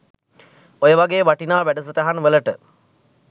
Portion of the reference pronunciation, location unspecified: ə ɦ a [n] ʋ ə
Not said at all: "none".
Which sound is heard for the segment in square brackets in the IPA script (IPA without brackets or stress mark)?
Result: n